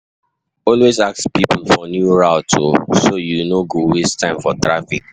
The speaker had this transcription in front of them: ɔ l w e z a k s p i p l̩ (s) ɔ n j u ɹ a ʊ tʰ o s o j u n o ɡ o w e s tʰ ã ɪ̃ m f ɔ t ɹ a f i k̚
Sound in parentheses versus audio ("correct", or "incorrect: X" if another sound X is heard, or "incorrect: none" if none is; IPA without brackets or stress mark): incorrect: f